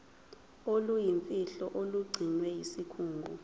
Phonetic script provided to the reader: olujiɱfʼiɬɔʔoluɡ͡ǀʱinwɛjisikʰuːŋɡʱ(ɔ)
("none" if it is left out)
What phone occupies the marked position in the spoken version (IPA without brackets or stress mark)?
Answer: u